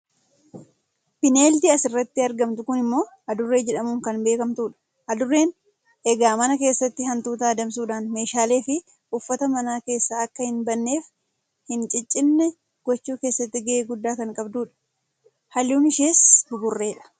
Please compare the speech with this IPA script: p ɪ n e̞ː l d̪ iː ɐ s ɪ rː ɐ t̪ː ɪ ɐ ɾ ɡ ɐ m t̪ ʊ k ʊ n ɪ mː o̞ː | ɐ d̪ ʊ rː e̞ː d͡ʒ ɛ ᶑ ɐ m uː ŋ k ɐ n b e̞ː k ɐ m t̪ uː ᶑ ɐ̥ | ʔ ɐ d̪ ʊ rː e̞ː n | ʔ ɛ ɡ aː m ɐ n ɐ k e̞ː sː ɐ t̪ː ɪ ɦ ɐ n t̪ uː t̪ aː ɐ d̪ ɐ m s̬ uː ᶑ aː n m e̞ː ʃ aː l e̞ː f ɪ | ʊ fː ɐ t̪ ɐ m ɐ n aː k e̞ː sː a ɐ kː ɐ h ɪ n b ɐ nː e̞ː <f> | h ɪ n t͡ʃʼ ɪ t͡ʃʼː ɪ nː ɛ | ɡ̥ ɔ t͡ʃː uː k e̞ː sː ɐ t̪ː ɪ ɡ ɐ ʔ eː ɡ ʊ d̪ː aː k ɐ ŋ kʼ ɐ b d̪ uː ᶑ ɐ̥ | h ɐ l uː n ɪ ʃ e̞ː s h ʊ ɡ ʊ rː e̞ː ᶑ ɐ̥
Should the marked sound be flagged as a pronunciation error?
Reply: no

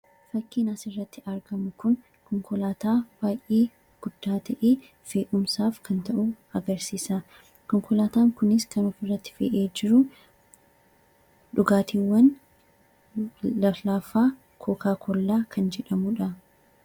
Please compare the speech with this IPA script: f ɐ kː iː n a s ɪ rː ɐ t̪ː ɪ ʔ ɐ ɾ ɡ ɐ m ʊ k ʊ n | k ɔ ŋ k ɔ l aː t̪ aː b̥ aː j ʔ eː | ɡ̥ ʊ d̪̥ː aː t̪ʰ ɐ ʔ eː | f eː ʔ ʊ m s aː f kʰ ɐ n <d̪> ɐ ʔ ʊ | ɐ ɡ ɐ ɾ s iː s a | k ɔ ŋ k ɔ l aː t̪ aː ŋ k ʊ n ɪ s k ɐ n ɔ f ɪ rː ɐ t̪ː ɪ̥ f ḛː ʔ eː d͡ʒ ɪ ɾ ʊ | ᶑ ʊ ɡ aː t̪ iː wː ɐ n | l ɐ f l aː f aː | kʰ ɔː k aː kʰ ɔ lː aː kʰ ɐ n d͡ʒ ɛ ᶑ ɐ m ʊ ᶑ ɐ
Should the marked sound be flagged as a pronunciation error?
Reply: yes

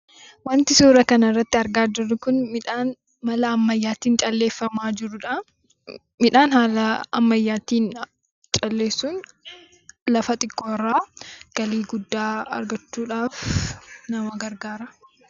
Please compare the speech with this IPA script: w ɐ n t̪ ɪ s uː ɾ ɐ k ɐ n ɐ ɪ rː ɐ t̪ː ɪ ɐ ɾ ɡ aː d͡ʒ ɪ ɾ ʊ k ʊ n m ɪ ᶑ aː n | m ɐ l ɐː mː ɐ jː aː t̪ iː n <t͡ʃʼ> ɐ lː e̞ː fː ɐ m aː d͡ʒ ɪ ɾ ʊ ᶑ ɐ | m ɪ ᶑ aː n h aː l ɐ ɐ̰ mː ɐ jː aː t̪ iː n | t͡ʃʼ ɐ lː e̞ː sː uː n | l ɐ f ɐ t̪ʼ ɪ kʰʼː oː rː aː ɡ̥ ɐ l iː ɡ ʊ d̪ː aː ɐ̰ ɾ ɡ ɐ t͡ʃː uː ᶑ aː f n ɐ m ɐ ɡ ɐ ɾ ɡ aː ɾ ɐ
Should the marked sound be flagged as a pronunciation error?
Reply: no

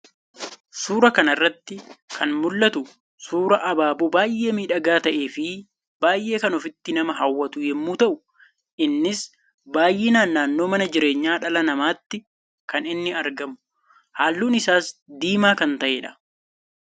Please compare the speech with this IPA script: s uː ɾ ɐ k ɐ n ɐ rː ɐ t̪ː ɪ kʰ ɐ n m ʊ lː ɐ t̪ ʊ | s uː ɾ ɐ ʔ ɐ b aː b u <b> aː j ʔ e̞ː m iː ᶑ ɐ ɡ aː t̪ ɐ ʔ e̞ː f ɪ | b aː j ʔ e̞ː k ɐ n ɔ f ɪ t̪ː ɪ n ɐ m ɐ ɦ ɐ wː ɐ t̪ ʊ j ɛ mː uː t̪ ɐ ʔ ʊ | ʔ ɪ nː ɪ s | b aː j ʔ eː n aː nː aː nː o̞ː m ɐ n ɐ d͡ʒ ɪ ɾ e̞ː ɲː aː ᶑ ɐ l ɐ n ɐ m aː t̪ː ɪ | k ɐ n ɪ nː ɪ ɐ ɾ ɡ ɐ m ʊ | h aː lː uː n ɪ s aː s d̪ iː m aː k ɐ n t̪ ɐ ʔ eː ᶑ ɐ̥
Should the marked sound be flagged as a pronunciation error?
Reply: no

